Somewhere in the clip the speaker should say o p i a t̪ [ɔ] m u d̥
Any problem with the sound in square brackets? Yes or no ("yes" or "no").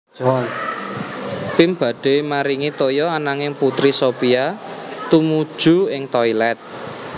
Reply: yes